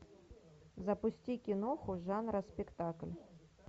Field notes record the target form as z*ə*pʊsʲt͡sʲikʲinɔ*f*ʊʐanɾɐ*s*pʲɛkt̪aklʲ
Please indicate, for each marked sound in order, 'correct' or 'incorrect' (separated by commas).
incorrect, incorrect, correct